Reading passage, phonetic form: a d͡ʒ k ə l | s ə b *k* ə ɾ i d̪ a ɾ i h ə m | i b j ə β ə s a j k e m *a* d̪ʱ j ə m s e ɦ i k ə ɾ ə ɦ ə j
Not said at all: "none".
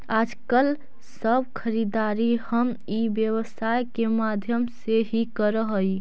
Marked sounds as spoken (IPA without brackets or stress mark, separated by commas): kʰ, a